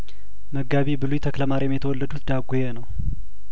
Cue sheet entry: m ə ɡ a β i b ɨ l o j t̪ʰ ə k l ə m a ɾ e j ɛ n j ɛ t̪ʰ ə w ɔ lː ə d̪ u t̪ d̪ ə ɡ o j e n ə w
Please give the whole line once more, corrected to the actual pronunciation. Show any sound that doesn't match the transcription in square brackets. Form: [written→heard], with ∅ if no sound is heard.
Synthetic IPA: m ə ɡ a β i b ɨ l [o→u] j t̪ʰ ə k l ə m a ɾ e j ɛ [n→m] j ɛ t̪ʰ ə w ɔ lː ə d̪ u t̪ d̪ [ə→a] ɡ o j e n ə w